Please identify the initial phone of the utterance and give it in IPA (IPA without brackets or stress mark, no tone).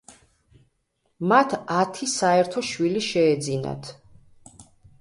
m